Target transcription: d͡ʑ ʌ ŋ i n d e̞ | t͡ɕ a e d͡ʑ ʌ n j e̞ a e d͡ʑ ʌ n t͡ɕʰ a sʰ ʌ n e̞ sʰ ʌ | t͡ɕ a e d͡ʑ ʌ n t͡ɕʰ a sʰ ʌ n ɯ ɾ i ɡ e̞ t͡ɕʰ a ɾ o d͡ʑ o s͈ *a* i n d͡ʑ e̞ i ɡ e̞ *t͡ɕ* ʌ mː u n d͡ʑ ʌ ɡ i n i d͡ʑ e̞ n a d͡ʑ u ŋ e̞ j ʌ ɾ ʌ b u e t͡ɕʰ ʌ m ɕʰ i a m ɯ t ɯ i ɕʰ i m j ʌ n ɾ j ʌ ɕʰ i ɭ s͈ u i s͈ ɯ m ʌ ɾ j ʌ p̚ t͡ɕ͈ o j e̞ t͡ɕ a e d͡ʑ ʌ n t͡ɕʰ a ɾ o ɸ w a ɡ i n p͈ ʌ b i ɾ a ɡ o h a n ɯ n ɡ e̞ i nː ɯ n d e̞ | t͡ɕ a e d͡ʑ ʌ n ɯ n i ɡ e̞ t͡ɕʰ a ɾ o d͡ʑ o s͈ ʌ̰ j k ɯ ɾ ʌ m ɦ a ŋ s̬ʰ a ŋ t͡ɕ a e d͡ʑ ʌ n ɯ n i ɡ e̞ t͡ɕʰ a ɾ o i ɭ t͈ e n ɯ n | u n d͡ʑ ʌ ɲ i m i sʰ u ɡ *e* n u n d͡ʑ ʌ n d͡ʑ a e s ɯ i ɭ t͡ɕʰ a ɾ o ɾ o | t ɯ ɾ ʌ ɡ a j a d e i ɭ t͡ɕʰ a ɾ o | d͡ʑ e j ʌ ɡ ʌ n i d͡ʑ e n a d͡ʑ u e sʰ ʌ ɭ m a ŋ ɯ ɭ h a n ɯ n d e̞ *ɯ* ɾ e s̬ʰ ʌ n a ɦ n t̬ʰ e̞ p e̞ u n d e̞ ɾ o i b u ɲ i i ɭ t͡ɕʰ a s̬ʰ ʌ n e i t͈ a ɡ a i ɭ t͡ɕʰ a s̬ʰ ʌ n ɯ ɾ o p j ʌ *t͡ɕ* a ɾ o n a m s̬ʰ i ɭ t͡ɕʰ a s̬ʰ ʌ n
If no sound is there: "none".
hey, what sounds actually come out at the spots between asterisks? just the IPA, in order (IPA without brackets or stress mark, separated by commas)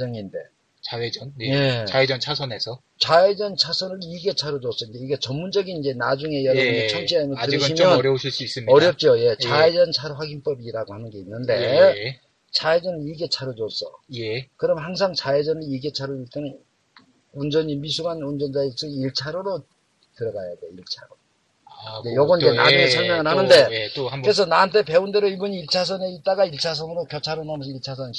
ʌ, t͡ɕ, a, ɯ, t͡ɕʰ